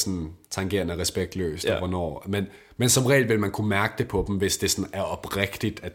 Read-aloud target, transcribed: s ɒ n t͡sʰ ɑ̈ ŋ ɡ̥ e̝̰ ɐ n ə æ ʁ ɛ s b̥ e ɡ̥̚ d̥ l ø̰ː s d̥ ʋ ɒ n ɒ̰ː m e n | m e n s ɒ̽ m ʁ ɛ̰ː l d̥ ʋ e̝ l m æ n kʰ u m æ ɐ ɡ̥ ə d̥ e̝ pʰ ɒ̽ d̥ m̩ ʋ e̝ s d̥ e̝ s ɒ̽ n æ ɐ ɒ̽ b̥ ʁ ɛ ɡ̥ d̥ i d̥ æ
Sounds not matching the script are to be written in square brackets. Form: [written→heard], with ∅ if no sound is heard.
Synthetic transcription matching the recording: s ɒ n t͡sʰ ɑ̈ ŋ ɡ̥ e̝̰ ɐ n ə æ ʁ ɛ s b̥ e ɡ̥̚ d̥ l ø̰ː s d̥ ʋ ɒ n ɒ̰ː m e n | m e n s ɒ̽ m ʁ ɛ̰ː l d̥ ʋ e̝ l m æ n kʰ u m æ ɐ ɡ̥ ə d̥ e̝ pʰ ɒ̽ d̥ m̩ ʋ e̝ s d̥ e̝ s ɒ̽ n æ ɐ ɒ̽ b̥ ʁ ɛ ɡ̥ d̥ i d̥ æ